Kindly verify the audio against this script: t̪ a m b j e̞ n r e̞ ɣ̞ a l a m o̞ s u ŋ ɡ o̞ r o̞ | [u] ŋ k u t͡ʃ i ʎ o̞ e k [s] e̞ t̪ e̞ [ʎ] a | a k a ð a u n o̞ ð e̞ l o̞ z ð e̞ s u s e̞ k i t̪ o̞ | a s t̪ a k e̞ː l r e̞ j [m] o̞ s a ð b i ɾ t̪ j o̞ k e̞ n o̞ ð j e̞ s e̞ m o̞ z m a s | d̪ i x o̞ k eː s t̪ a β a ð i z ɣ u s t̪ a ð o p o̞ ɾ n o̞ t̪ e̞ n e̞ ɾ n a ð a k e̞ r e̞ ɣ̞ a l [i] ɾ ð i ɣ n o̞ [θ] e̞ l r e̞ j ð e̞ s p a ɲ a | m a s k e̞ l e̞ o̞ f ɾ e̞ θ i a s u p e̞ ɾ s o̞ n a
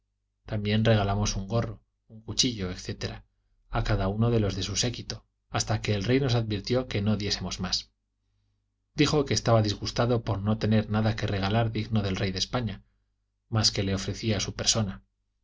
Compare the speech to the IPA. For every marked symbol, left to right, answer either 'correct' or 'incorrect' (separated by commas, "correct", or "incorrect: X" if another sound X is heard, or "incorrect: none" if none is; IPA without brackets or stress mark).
correct, incorrect: θ, incorrect: ɾ, incorrect: n, incorrect: a, incorrect: ð